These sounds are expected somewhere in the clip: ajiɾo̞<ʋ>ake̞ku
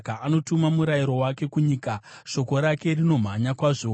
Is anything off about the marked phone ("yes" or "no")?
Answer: yes